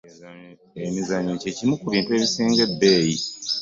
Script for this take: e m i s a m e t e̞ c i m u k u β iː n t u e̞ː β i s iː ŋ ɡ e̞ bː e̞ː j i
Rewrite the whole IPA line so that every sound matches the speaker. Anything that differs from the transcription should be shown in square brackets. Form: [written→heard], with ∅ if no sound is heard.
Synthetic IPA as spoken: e m i [s→z] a [m→ɲ] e [t→c] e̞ c i m u k u β iː n t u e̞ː β i s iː ŋ ɡ e̞ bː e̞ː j i